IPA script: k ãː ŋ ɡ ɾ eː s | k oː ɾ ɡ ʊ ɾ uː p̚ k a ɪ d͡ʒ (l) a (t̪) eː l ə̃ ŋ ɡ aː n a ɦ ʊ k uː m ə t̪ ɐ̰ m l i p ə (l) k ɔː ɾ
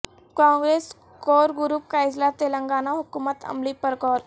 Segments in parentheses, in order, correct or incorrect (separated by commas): correct, correct, incorrect